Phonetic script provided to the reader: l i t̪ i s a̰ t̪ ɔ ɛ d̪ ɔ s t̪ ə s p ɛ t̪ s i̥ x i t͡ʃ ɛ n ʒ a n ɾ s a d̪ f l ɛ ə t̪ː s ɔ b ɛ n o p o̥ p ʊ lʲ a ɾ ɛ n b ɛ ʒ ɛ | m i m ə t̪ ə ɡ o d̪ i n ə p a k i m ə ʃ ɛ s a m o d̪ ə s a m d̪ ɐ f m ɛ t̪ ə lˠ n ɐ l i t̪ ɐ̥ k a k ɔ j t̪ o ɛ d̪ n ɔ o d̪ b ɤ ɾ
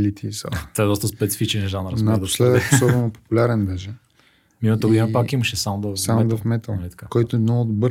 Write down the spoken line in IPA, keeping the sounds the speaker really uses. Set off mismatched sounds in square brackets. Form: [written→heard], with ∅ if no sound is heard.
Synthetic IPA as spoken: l i t̪ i s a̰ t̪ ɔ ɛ d̪ ɔ s t̪ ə s p ɛ t̪ s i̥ [x→f] i t͡ʃ ɛ n ʒ a n ɾ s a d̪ [f→s] l ɛ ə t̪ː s ɔ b ɛ n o p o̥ p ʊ lʲ a ɾ ɛ n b ɛ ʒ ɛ | m i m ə t̪ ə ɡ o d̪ i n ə p a k i m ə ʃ ɛ s a m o d̪ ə s a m d̪ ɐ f m ɛ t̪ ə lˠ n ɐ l i t̪ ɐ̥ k a k ɔ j t̪ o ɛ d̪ n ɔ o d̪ b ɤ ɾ